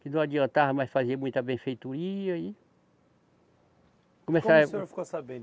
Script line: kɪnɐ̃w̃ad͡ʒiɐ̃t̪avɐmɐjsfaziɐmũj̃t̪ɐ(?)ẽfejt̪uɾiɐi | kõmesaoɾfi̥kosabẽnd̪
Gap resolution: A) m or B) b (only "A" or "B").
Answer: B